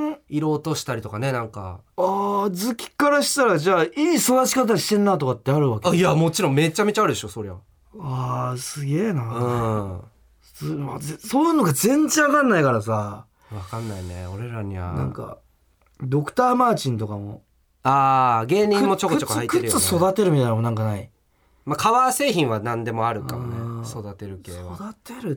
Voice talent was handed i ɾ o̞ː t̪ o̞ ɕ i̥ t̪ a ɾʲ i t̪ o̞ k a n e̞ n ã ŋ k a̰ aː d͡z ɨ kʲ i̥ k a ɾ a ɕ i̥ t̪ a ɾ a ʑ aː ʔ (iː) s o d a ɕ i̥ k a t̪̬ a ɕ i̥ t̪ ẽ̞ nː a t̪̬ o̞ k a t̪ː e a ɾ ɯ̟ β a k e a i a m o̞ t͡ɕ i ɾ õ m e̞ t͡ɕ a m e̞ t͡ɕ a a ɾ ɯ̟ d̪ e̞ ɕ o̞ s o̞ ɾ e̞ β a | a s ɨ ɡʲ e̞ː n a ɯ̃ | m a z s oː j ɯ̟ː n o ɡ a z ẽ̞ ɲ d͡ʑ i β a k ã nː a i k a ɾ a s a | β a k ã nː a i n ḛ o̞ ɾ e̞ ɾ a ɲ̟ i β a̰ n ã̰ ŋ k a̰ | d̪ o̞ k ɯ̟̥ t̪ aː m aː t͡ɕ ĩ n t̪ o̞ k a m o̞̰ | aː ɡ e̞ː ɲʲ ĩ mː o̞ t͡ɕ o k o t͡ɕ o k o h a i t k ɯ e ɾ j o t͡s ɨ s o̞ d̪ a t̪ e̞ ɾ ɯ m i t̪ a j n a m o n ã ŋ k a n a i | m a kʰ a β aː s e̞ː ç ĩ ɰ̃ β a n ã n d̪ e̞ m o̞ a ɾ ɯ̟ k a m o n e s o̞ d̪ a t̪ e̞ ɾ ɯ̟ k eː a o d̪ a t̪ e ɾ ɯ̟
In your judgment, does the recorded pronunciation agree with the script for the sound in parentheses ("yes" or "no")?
yes